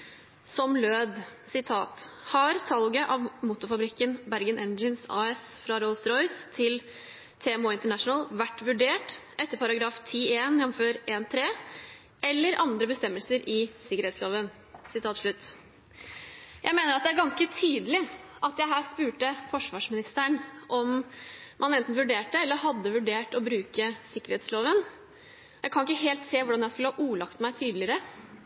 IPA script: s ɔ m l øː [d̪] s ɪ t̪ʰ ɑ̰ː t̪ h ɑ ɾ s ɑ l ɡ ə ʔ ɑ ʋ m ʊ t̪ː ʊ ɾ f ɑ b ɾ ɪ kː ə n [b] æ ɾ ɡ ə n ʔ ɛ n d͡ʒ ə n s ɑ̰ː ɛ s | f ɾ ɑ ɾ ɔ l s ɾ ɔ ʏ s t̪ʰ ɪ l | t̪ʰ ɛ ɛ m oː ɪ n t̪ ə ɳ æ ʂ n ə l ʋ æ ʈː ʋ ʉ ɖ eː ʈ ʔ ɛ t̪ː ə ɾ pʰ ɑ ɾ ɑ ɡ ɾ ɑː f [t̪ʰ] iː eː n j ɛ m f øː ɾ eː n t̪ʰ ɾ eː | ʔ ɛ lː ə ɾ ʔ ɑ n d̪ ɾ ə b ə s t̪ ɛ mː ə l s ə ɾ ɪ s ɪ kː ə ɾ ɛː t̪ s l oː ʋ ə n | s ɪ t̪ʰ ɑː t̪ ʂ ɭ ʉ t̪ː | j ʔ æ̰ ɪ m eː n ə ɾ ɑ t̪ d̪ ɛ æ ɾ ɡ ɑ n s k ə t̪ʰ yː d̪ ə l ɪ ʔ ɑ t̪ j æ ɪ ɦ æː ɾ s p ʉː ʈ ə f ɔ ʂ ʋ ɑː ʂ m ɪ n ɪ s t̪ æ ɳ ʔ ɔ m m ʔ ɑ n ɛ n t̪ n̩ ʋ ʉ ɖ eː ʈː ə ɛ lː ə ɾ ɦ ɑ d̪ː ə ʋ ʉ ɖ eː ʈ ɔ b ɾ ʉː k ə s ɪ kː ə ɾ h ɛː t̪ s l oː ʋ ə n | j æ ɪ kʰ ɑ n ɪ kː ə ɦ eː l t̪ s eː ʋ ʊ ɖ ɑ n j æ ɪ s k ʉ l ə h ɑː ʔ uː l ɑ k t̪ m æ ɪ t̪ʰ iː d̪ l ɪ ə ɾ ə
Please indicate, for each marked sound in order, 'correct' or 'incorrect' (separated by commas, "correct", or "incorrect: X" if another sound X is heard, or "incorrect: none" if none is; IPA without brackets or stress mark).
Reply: correct, correct, correct